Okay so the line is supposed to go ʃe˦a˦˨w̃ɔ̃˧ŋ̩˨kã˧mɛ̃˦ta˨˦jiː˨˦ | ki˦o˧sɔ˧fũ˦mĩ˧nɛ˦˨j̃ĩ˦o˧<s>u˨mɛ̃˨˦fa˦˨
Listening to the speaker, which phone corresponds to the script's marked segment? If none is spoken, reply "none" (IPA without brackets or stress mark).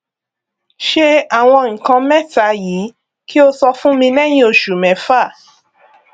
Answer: ʃ